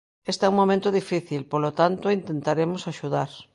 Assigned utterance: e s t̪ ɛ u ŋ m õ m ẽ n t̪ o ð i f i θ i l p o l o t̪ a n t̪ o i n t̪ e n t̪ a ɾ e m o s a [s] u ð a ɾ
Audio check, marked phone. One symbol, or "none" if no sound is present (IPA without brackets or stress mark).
ʃ